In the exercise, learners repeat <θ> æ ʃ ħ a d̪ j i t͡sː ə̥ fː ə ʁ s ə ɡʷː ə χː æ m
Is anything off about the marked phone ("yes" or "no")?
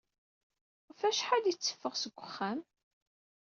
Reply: yes